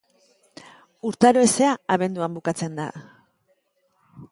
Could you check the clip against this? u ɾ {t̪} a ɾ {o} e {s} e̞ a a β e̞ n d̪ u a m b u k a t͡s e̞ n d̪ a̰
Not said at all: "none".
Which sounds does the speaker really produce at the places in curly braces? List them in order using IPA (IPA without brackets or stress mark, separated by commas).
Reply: t̪, o, s